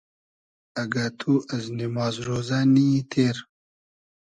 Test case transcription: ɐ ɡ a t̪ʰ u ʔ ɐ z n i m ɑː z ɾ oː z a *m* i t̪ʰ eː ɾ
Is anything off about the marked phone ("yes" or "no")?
yes